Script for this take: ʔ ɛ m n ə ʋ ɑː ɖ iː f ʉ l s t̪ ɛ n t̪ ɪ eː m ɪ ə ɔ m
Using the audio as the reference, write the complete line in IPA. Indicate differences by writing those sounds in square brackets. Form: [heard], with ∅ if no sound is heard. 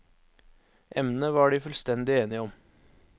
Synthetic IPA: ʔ ɛ m n ə ʋ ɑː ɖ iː f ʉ l s t̪ ɛ n [d̪] ɪ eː [n] ɪ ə ɔ m